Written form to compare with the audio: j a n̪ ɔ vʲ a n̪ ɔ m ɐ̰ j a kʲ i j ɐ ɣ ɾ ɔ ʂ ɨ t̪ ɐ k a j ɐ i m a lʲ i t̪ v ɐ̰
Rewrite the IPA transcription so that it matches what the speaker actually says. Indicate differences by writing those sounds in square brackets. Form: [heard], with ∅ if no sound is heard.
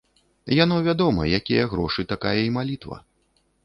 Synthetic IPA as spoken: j a n̪ ɔ vʲ a [d̪] ɔ m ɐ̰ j a kʲ i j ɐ ɣ ɾ ɔ ʂ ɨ t̪ [a] k a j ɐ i m a lʲ i t̪ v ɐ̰